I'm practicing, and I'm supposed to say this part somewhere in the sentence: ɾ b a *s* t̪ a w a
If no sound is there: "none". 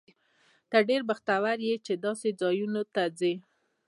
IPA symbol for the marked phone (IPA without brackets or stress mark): x